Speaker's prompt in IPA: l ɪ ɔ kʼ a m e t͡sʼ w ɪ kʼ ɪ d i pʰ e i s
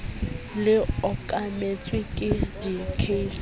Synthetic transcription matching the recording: l ɪ ɔ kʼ a m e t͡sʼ w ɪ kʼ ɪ d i kʰ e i s